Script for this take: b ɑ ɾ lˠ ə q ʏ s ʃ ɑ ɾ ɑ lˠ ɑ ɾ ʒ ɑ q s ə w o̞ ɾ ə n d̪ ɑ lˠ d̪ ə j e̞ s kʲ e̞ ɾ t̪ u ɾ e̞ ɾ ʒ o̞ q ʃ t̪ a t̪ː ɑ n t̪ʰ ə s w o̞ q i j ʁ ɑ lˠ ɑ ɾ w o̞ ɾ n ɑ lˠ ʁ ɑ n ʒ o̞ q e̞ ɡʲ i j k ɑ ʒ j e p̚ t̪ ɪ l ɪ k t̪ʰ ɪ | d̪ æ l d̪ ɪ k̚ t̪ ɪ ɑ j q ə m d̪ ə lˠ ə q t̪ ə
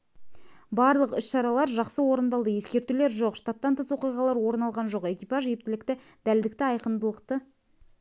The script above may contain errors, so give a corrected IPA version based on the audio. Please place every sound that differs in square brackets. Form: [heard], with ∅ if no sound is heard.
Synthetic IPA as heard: b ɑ ɾ lˠ ə q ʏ s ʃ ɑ ɾ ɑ lˠ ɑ ɾ ʒ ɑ q s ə w o̞ ɾ ə n d̪ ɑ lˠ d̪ ə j e̞ s kʲ e̞ ɾ t̪ u [l] e̞ ɾ ʒ o̞ q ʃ t̪ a t̪ː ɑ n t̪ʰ ə s w o̞ q i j ʁ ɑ lˠ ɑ ɾ w o̞ ɾ n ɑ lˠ ʁ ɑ n ʒ o̞ q e̞ [kʲ] i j [p] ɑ ʒ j e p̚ t̪ ɪ l ɪ k [t̪] ɪ | d̪ æ l d̪ ɪ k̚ t̪ ɪ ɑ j q ə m d̪ ə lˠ ə q t̪ ə